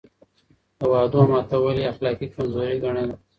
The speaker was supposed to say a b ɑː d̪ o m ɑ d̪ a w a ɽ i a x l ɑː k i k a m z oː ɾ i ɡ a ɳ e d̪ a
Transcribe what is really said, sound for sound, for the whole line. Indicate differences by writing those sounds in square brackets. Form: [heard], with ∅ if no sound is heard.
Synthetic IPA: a [w] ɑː d̪ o m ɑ [t̪] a w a [l] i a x l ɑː k i k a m z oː ɾ i ɡ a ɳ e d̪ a